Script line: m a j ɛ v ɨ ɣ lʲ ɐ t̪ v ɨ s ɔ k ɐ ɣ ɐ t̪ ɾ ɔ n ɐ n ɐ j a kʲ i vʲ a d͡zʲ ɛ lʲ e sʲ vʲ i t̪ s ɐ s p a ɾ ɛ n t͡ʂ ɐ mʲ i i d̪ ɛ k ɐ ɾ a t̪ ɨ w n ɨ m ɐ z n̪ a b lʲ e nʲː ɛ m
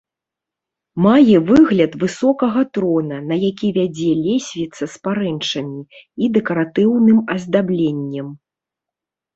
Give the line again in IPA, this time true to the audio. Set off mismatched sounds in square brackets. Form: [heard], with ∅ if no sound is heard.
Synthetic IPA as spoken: m a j ɛ v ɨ ɣ lʲ ɐ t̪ v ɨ s ɔ k ɐ ɣ ɐ t̪ ɾ ɔ n ɐ n ɐ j a kʲ i vʲ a d͡zʲ ɛ lʲ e sʲ vʲ i t̪ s ɐ s p a ɾ ɛ n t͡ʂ ɐ mʲ i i d̪ ɛ k ɐ ɾ a t̪ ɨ w n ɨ m ɐ z [d̪] a b lʲ e nʲː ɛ m